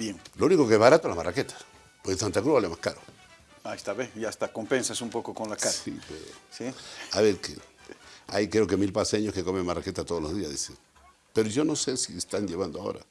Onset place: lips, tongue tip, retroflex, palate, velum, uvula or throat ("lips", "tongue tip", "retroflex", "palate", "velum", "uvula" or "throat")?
lips